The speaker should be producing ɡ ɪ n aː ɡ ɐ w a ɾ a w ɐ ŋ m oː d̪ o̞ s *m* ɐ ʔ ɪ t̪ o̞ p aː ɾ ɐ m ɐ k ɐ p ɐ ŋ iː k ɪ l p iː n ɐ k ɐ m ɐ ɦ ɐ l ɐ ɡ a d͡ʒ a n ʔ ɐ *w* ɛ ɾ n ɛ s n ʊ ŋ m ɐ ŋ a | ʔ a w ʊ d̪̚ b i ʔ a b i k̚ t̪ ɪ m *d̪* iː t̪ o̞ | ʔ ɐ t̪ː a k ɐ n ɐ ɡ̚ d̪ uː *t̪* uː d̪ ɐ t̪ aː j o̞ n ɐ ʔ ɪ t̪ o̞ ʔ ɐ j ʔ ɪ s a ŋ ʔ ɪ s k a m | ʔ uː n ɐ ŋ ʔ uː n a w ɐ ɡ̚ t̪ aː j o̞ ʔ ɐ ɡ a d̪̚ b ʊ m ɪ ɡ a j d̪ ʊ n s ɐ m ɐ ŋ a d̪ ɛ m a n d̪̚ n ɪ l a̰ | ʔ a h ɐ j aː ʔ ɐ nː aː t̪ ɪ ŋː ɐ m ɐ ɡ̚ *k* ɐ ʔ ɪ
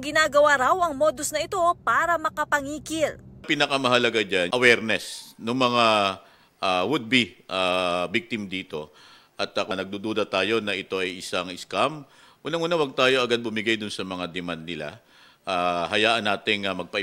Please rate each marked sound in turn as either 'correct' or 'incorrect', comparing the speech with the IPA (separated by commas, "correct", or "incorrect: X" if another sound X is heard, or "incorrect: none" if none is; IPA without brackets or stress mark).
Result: incorrect: n, correct, correct, incorrect: d̪, incorrect: p